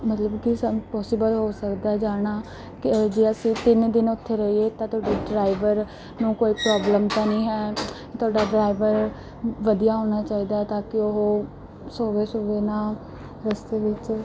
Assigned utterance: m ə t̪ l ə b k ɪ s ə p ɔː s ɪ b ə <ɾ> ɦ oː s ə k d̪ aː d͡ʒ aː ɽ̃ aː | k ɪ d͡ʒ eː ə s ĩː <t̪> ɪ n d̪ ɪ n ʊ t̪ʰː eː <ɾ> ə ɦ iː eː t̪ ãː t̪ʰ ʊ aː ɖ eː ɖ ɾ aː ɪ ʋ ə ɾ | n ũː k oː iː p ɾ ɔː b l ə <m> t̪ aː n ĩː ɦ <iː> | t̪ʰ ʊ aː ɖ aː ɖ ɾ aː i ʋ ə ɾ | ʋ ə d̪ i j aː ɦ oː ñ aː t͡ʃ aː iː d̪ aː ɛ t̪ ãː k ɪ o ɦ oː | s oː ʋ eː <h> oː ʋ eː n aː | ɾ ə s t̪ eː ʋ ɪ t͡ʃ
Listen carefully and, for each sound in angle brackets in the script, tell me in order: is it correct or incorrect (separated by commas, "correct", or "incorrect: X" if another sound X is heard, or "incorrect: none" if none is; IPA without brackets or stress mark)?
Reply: incorrect: l, correct, correct, correct, incorrect: ɛː, incorrect: s